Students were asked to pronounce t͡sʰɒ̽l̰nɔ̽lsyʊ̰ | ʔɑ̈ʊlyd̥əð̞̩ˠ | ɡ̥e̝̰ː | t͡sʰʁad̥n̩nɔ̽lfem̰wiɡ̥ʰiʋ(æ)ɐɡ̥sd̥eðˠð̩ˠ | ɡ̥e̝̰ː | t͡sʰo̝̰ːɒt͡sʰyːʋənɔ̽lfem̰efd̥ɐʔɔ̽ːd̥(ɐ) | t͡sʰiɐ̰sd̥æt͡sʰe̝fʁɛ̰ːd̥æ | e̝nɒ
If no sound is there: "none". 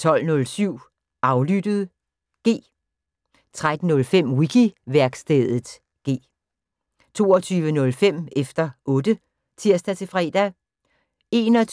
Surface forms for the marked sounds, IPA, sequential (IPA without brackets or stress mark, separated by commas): æ, ə